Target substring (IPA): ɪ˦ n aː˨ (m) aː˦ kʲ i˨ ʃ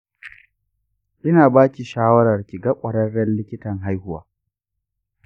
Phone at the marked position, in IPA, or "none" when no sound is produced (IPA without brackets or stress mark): b